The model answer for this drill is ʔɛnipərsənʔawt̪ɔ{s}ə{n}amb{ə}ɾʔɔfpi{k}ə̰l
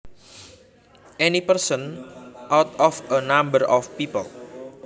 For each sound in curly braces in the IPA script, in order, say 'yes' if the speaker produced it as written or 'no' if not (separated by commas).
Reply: no, yes, yes, no